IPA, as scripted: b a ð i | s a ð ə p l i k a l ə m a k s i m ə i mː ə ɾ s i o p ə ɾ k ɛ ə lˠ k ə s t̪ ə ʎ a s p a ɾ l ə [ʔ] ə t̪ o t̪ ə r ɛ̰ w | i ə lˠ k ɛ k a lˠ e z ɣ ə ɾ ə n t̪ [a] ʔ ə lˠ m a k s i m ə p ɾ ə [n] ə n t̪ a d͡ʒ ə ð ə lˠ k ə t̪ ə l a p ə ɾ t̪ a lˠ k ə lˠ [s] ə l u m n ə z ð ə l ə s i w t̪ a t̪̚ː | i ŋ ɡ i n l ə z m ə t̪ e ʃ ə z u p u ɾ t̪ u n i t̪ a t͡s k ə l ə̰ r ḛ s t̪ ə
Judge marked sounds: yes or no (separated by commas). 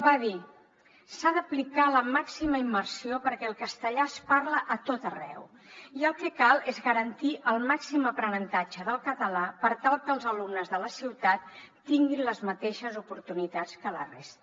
yes, no, yes, no